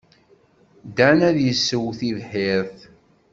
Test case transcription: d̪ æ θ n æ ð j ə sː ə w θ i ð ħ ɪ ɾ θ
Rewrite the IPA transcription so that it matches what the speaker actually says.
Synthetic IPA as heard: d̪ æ n æ ð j ə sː ə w θ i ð ħ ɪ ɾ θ

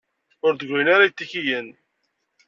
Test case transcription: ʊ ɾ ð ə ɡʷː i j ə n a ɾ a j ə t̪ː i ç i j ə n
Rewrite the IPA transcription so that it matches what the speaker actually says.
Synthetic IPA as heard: ʊ ɾ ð ə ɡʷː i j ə n a ɾ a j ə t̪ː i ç i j ə n

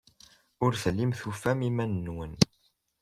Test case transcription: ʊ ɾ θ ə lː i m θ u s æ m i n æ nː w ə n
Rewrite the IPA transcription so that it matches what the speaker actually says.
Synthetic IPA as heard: ʊ ɾ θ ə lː i m θ u f æ m i m æ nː w ə n

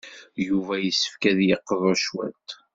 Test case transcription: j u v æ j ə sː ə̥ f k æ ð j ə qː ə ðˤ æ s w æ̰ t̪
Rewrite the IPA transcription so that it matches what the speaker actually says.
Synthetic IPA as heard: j u v æ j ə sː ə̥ f k æ ð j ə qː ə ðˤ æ ʃ w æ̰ t̪

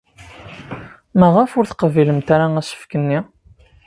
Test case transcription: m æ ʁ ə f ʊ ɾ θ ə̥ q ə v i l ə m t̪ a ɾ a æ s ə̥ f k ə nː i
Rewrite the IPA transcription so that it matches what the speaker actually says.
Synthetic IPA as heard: m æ ʁ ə f ʊ ɾ θ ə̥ q ə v i l ə m t̪ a ɾ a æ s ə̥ f k ə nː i

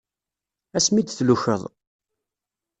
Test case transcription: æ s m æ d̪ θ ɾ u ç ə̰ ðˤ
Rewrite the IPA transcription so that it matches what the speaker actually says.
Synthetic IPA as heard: æ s m i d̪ θ l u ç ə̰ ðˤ

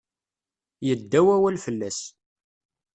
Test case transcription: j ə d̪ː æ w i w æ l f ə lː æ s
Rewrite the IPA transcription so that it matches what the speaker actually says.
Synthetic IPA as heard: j ə d̪ː æ w æ w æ l f ə lː æ s

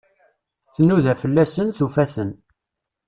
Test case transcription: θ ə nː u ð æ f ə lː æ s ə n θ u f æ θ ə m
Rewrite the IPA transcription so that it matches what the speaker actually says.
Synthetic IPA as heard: θ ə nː u ð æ f ə lː æ s ə n θ u f æ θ ə n

